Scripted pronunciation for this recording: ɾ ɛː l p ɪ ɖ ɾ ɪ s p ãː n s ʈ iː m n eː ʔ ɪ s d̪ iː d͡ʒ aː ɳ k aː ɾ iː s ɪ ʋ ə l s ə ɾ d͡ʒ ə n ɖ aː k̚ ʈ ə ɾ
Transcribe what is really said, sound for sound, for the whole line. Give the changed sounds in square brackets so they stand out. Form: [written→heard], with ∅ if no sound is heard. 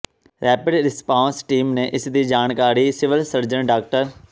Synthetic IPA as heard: ɾ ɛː [l→∅] p ɪ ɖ ɾ ɪ s p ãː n s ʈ iː m n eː ʔ ɪ s d̪ iː d͡ʒ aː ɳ k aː ɾ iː s ɪ ʋ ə l s ə ɾ d͡ʒ ə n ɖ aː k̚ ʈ ə ɾ